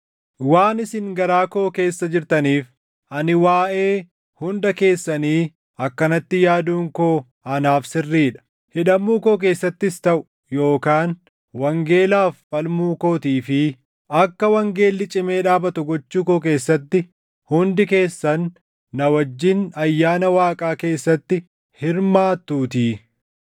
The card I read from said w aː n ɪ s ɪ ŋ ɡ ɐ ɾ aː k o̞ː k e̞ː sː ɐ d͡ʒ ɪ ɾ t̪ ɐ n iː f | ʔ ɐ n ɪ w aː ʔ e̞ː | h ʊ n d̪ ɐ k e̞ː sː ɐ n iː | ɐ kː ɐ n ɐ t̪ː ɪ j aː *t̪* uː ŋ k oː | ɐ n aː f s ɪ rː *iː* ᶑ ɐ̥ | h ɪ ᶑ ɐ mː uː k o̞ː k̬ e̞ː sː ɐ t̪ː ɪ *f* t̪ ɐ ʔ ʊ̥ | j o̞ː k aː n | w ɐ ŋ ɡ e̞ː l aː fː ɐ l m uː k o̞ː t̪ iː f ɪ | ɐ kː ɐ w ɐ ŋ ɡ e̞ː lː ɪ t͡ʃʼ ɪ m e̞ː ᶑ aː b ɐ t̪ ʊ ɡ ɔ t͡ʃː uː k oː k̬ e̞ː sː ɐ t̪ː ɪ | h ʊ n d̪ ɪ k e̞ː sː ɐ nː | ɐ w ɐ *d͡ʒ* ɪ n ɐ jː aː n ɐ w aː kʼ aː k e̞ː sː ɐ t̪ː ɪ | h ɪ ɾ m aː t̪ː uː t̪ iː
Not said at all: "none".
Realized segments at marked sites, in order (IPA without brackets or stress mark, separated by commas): d̪, iː, s, d͡ʒː